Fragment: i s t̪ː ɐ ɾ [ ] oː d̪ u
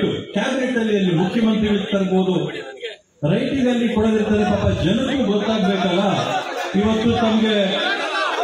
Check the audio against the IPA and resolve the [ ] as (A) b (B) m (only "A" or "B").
A